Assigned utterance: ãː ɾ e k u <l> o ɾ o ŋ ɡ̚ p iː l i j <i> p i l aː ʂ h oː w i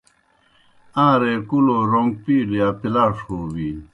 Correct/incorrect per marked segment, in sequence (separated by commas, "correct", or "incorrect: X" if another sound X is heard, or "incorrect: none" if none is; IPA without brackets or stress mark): correct, incorrect: a